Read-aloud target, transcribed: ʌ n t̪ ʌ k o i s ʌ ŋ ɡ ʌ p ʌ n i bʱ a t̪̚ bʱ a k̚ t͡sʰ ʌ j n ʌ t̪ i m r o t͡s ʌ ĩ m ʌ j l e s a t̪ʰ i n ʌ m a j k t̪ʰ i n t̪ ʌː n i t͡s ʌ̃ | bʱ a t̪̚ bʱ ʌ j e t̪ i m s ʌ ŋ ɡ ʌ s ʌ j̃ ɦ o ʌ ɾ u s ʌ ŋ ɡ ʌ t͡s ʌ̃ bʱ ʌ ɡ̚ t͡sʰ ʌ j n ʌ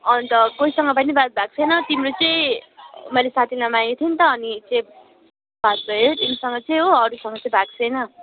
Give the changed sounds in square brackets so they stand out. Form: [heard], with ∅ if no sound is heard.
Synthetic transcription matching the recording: ʌ n t̪ ʌ k o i s ʌ ŋ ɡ ʌ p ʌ n i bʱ a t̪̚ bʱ a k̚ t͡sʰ ʌ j n ʌ t̪ i m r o t͡s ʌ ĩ m ʌ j l e s a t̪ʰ i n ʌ m a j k t̪ʰ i n t̪ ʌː n i t͡s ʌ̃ | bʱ a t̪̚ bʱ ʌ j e t̪ i m s ʌ ŋ ɡ ʌ [t͡s] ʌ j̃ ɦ o ʌ ɾ u s ʌ ŋ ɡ ʌ t͡s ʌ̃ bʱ [a] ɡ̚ t͡sʰ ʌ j n ʌ